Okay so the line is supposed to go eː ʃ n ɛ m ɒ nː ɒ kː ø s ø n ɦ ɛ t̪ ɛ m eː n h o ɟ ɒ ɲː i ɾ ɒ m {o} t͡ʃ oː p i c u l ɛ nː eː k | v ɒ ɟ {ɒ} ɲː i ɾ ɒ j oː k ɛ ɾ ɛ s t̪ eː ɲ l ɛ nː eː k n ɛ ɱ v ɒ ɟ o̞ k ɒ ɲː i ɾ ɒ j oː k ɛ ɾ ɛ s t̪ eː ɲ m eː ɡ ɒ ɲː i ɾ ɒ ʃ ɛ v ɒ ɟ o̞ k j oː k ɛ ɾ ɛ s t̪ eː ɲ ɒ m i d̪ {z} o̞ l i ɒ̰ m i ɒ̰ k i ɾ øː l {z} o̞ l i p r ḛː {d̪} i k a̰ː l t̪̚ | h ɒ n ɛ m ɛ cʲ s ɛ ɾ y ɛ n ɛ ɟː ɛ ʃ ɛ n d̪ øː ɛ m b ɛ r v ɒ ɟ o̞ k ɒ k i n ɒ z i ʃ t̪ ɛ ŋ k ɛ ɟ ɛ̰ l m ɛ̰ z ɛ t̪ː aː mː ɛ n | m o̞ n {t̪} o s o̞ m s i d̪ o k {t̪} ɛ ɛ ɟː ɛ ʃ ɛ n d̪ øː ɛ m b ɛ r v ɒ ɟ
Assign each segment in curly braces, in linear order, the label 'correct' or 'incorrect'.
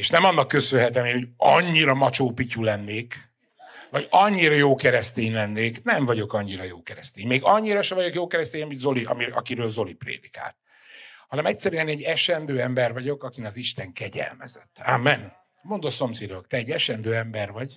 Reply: incorrect: ɒ, correct, correct, correct, correct, incorrect: d̪, correct

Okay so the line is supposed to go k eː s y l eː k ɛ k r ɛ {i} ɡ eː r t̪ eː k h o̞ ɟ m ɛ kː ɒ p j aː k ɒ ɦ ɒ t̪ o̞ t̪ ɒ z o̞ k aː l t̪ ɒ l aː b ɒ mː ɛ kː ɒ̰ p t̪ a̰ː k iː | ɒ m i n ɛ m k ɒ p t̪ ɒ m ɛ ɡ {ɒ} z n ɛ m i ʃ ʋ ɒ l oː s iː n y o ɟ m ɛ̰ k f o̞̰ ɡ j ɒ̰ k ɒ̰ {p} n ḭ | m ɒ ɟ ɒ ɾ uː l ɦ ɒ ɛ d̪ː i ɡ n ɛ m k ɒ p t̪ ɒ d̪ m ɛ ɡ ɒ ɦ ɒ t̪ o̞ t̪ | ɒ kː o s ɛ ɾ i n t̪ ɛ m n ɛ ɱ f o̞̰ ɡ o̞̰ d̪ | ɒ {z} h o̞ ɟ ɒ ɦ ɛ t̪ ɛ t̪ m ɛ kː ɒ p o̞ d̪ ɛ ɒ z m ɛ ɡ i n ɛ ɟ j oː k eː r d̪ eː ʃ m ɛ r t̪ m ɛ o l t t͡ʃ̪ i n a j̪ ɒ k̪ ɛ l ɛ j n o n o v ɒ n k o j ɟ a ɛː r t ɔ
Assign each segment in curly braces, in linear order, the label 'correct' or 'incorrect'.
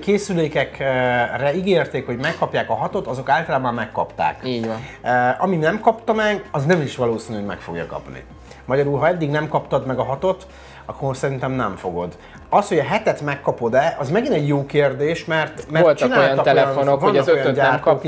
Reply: correct, correct, correct, incorrect: s

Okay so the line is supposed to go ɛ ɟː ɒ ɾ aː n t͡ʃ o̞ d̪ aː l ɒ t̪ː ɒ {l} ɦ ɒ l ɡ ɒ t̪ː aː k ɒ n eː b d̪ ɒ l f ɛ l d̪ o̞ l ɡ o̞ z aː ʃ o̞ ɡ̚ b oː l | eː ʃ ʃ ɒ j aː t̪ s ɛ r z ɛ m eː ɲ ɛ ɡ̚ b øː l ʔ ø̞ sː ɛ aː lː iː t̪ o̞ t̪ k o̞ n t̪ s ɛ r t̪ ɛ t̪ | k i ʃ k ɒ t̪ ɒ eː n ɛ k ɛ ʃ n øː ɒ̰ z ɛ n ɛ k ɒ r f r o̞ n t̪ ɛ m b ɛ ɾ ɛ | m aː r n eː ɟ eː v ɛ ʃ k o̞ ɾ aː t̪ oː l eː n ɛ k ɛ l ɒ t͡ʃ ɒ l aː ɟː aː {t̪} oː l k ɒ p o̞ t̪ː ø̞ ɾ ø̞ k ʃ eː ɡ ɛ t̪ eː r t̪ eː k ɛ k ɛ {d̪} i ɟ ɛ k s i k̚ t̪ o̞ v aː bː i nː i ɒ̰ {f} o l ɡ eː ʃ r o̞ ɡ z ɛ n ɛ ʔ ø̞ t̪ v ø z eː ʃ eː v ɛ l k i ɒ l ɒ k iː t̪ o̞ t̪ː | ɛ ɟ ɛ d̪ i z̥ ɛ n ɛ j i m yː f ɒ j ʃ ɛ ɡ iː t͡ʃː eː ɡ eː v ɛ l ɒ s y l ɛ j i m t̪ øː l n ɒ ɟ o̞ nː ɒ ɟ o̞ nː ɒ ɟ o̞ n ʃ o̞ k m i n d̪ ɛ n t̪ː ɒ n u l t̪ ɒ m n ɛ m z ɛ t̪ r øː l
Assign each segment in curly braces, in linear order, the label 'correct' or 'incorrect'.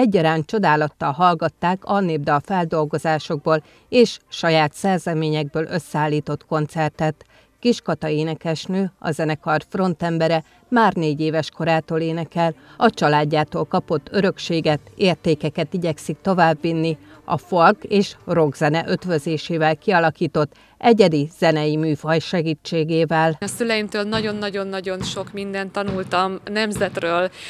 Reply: correct, correct, incorrect: t̪, correct

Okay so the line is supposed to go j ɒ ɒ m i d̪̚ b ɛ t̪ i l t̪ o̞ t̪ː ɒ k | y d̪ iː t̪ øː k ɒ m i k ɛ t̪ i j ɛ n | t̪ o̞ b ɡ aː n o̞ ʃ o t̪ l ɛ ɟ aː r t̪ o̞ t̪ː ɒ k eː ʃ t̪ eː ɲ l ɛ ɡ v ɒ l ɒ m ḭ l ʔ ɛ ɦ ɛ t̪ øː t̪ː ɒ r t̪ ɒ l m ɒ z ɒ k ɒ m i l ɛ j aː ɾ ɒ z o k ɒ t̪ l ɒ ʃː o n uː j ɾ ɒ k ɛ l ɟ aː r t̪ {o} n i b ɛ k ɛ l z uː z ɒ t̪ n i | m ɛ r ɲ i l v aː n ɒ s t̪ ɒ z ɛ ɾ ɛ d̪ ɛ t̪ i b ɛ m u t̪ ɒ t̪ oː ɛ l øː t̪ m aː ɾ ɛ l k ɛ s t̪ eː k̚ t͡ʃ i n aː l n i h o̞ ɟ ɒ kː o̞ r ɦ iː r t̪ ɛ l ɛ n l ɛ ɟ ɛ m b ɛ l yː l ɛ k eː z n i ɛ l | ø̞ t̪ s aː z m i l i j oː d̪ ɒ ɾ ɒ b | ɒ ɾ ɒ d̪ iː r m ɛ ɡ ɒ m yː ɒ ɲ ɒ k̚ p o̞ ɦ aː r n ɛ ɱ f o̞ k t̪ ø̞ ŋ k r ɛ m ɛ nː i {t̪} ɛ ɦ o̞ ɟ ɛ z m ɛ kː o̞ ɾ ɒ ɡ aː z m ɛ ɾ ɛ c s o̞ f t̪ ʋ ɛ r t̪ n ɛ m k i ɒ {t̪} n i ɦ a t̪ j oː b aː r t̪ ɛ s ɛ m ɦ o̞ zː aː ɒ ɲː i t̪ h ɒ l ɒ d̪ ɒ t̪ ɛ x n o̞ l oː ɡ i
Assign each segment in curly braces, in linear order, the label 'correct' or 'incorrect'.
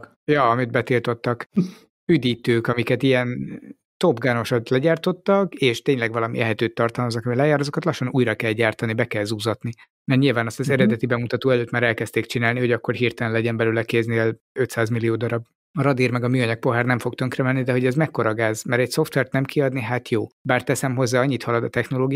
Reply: incorrect: ɒ, incorrect: d̪, incorrect: d̪

